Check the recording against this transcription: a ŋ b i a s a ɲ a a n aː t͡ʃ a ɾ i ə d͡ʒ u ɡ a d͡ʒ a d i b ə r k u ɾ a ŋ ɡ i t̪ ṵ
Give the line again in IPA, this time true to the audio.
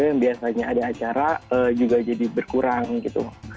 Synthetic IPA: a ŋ b i a s a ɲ a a d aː t͡ʃ a ɾ a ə d͡ʒ u ɡ a d͡ʒ a d i b ə r k u ɾ a ŋ ɡ i t̪ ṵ